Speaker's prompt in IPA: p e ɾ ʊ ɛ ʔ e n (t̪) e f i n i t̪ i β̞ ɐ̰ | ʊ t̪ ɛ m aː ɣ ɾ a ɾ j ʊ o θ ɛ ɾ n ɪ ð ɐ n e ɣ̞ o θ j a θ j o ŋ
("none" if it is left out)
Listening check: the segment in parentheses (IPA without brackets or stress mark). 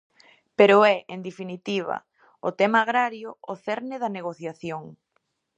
d̪